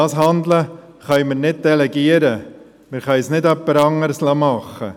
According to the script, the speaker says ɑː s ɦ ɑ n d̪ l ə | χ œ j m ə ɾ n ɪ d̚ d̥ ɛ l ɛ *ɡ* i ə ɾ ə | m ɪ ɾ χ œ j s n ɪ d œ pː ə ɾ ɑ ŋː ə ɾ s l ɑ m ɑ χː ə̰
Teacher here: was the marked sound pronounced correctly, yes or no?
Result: yes